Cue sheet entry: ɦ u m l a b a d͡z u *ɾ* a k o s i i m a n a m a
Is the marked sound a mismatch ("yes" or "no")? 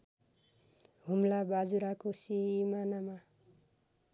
no